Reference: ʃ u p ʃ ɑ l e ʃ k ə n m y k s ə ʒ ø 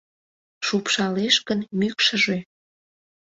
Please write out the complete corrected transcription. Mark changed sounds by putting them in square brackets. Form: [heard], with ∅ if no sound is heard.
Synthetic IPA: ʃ u p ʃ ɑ l e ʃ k ə n m y k [ʃ] ə ʒ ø